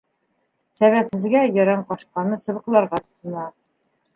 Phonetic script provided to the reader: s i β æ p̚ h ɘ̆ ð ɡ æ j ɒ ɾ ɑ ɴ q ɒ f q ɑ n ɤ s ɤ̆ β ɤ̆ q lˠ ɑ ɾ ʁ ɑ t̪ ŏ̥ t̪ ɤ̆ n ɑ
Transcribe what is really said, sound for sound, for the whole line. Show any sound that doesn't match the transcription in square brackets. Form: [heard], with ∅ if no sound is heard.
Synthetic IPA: s [æ] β æ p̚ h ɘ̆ ð ɡ æ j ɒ ɾ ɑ ɴ q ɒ [ʃ] q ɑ n ɤ s ɤ̆ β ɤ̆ q lˠ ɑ ɾ ʁ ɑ t̪ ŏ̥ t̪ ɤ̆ n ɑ